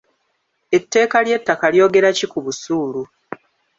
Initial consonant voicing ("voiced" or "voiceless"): voiceless